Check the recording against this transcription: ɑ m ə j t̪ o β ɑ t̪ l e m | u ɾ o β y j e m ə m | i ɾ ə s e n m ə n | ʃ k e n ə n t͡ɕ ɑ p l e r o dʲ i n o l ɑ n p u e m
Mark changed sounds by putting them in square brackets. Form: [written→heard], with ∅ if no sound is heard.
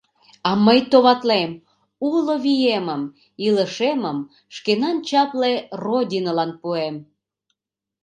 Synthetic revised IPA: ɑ m ə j t̪ o β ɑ t̪ l e m | u [ɾ→l] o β [y→i] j e m ə m | i [ɾ→l] ə [s→ʃ] e [n→∅] m ə [n→m] | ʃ k e n [ə→ɑ] n t͡ɕ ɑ p l e r o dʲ i n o l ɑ n p u e m